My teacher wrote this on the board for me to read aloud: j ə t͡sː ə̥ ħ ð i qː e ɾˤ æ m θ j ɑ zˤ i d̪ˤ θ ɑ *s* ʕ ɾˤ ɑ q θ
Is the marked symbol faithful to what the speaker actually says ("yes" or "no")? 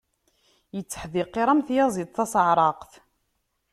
yes